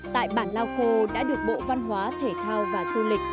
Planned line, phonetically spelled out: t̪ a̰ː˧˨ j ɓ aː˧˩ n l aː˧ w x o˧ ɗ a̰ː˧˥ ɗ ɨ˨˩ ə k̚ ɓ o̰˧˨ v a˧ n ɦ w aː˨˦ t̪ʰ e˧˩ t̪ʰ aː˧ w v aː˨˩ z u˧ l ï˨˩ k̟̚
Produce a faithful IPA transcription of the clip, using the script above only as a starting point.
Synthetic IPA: t̪ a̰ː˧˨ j ɓ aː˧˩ n l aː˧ w x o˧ ɗ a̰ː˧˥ ɗ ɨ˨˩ ə k̚ ɓ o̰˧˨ v a˧ n ɦ w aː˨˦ t̪ʰ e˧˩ t̪ʰ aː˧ w v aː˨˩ z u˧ l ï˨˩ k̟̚